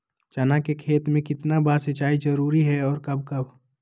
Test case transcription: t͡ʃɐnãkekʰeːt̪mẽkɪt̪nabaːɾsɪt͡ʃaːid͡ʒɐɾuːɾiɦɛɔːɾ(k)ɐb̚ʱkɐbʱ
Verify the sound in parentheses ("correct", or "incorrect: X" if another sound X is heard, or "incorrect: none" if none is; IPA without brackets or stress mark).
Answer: correct